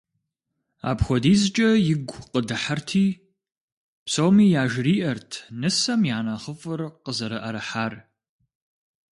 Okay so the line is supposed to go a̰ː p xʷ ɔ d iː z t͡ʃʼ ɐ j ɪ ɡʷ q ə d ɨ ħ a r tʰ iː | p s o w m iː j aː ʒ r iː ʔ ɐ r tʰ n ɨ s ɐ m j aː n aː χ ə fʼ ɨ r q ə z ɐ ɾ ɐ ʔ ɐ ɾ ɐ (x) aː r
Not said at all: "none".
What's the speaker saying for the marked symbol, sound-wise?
ħ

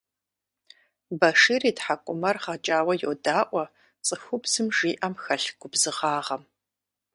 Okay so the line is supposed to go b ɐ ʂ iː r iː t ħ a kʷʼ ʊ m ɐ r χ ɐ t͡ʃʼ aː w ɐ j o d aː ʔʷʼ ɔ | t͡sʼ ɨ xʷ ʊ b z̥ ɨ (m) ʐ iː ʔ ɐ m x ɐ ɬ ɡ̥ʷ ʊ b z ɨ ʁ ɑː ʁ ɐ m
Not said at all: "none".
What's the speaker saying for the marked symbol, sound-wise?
m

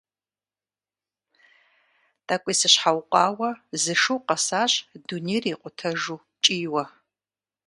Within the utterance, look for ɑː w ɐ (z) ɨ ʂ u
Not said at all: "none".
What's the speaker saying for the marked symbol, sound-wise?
z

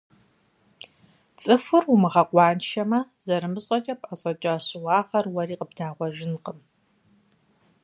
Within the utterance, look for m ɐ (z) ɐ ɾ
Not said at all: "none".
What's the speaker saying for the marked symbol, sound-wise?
z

